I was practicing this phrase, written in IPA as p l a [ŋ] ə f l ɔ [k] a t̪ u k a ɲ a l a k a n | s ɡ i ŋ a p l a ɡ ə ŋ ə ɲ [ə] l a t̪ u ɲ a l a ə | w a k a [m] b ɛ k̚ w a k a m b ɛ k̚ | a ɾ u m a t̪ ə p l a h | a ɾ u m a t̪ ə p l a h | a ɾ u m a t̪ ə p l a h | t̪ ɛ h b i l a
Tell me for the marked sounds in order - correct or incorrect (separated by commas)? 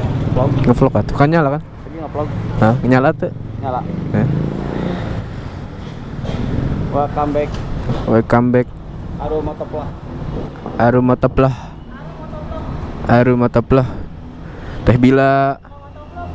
correct, correct, incorrect, correct